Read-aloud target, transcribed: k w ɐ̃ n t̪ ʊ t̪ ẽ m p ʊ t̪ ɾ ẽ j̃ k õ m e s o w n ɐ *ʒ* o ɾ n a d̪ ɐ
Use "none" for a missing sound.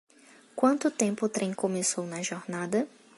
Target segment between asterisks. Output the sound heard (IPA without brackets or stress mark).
ʒ